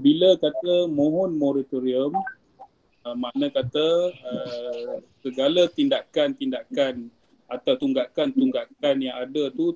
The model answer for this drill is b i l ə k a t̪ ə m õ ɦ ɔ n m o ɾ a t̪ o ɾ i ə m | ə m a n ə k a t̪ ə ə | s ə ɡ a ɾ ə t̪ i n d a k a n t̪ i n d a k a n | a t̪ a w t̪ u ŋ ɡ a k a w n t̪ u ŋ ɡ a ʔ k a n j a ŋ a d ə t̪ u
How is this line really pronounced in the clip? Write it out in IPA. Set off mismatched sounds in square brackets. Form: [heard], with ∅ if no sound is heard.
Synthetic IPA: b i l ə k a t̪ ə m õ ɦ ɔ n m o ɾ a t̪ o ɾ i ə m | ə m a n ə k a t̪ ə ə | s ə ɡ a [l] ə t̪ i n d a k a n t̪ i n d a k a n | a t̪ a w t̪ u ŋ ɡ a k a [∅] n t̪ u ŋ ɡ a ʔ k a n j a ŋ a d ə t̪ u